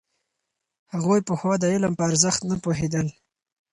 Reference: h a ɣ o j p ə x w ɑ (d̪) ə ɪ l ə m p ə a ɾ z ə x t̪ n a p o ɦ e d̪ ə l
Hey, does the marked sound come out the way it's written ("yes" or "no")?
yes